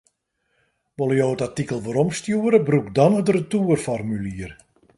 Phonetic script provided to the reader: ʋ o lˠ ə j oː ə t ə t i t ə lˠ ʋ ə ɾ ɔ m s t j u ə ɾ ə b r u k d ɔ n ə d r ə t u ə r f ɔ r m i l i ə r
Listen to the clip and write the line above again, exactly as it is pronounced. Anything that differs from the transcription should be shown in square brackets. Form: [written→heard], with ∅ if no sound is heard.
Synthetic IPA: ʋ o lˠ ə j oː ə t [ə→a] t i [t→k] ə lˠ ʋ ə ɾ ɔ m s t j u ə ɾ ə b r u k d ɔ n ə d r ə t u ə r f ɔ r m [i→y] l i ə r